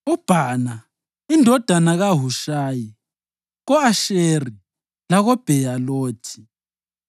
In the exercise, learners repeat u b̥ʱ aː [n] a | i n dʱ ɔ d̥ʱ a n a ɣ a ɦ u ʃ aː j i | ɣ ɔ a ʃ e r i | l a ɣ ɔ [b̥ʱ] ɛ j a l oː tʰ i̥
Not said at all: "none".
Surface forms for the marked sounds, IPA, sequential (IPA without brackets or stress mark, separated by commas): n, b̥ʱ